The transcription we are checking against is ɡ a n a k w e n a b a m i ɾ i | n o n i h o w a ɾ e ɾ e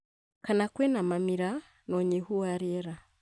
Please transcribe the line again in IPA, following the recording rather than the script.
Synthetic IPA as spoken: k a n a k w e n a m a m i ɾ a | n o ɲ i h u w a ɾ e ɾ a